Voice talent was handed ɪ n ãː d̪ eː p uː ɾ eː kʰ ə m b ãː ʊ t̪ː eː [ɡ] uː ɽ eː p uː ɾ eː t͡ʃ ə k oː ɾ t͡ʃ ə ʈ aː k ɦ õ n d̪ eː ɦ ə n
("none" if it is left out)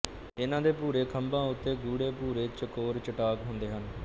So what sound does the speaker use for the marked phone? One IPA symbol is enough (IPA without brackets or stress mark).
ɡ